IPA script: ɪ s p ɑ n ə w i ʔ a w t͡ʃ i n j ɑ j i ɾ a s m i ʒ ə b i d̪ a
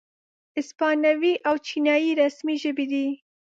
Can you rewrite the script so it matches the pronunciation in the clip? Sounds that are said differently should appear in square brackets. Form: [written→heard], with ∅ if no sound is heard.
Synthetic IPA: ɪ s p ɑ n [ə→a] w i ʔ a w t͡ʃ i n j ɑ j i ɾ a s m i ʒ ə b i d̪ [a→i]